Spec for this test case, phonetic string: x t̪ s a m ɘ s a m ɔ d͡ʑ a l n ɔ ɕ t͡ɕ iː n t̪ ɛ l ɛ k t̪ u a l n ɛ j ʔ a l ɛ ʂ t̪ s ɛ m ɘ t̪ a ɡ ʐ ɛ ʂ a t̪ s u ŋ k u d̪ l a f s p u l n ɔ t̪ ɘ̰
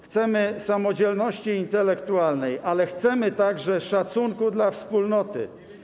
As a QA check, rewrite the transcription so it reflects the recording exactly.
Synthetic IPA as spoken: x t̪ s ɛ m ɘ s a m ɔ d͡ʑ ɛ l n ɔ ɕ t͡ɕ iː n t̪ ɛ l ɛ k t̪ u a l n ɛ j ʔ a l ɛ x t̪ s ɛ m ɘ t̪ a ɡ ʐ ɛ ʂ a t̪ s u ŋ k u d̪ l a f s p u l n ɔ t̪ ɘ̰